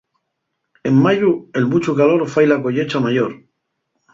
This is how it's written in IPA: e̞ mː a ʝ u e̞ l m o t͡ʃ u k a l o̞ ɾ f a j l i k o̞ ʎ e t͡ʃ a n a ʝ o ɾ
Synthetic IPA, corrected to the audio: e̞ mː a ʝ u e̞ l m u t͡ʃ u k a l o̞ ɾ f a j l a k o̞ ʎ e t͡ʃ a m a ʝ o ɾ